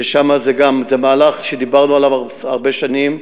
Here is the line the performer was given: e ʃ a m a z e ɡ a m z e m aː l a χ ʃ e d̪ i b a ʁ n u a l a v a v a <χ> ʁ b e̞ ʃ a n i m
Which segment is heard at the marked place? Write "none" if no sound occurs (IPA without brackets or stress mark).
none